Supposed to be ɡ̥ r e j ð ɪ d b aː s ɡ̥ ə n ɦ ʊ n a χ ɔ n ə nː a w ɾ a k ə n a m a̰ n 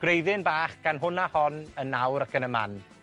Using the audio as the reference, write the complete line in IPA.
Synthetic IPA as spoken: ɡ̥ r e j ð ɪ n b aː χ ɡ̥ a n ɦ ʊ n a h ɔ n ə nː a w ɾ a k ə n ə m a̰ n